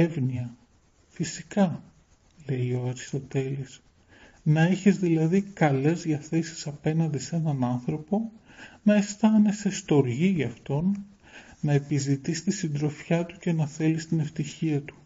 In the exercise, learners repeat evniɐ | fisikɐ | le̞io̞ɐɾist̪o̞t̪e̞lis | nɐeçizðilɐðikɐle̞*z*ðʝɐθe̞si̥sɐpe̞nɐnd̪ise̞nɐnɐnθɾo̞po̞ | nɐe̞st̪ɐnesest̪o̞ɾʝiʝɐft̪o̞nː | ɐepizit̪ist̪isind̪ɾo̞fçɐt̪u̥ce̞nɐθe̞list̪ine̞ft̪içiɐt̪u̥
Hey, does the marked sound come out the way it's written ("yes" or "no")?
yes